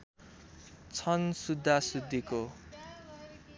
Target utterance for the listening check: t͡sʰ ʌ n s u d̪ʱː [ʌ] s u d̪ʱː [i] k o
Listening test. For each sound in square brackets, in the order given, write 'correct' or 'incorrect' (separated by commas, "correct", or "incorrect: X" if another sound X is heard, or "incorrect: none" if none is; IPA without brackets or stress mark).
incorrect: a, correct